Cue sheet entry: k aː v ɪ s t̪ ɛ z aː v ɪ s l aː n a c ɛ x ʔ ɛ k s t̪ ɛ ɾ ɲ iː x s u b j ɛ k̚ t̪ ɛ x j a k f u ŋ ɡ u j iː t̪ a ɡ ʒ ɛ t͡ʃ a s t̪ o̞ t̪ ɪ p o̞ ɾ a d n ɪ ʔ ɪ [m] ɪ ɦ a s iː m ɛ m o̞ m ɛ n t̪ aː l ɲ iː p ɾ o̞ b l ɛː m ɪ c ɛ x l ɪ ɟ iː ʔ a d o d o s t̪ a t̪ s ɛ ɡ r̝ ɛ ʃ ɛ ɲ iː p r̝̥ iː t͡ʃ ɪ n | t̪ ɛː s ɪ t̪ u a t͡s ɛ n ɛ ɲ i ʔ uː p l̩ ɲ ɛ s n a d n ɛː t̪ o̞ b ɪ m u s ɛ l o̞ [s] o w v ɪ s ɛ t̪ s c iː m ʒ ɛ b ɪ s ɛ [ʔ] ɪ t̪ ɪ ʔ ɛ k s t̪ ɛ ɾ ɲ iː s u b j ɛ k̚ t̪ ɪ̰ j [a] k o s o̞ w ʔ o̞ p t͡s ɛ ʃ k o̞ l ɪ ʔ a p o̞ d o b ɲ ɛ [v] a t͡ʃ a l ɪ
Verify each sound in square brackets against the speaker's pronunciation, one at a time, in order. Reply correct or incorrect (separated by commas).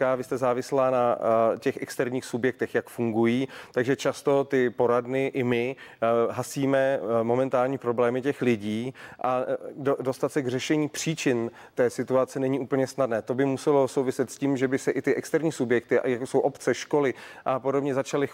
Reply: correct, correct, correct, correct, incorrect